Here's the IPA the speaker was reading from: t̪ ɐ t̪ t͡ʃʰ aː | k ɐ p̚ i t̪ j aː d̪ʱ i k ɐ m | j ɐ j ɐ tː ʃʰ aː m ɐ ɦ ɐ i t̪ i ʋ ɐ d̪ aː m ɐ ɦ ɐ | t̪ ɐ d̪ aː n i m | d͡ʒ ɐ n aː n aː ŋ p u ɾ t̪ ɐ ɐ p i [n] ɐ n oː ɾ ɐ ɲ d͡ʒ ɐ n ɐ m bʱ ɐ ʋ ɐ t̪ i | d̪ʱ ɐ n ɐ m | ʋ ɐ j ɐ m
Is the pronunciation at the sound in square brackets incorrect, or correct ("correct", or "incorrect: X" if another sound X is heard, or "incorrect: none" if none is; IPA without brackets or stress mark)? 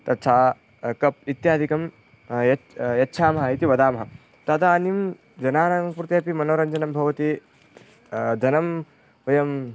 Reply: incorrect: m